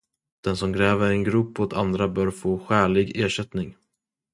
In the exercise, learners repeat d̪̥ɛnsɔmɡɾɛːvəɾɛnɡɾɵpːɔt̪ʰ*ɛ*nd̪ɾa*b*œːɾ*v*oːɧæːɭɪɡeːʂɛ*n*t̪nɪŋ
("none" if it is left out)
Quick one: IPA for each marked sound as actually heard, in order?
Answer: a, b, f, none

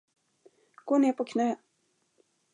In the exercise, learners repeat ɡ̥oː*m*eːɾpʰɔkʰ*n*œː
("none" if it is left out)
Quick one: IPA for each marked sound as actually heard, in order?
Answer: n, n

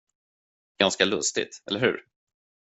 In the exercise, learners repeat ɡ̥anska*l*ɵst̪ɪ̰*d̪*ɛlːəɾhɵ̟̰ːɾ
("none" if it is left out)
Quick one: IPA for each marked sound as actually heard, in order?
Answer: l, t̪

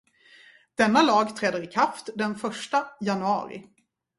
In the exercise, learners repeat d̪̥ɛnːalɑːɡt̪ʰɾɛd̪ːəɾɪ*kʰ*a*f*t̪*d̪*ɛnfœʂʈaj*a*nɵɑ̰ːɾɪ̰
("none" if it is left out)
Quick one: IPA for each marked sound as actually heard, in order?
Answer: kʰ, f, d̪, a

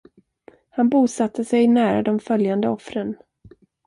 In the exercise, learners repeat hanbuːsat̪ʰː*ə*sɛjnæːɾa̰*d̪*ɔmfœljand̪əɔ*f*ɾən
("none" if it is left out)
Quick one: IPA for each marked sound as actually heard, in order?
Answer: ə, d̪, f

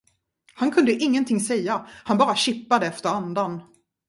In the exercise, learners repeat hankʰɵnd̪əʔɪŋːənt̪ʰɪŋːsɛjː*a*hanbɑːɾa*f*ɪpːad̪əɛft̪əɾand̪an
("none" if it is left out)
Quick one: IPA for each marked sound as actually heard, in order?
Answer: a, ɕ

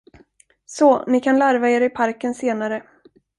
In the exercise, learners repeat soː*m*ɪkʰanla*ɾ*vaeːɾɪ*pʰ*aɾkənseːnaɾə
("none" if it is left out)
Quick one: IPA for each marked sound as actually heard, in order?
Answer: n, ɾ, pʰ

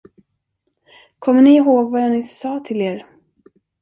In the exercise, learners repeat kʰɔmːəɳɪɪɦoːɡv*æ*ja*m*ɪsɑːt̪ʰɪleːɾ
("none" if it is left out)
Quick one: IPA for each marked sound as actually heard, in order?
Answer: a, n

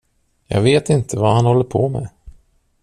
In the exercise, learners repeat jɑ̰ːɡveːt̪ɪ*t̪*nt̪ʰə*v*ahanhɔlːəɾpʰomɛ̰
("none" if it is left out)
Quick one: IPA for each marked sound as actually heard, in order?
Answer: none, v

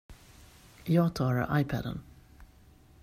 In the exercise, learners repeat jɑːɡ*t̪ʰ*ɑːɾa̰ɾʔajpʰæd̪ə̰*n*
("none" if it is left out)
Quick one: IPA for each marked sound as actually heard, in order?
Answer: t̪ʰ, n

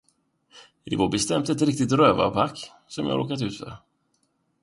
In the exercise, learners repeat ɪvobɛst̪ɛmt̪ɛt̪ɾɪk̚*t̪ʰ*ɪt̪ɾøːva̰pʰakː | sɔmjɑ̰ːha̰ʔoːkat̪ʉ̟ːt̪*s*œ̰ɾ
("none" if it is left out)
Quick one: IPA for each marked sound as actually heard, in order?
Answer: t̪, f

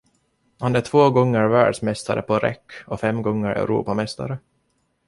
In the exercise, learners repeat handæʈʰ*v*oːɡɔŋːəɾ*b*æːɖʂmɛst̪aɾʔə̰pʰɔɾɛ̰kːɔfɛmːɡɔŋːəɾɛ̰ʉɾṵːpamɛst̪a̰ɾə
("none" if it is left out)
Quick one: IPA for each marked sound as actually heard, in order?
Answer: v, v

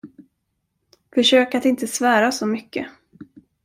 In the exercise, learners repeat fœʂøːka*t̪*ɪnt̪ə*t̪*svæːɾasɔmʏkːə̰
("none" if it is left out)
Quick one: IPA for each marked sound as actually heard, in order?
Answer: t̪, none

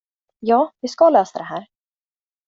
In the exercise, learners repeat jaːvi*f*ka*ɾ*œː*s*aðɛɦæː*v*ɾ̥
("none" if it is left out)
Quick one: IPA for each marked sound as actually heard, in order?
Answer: s, l, s, none

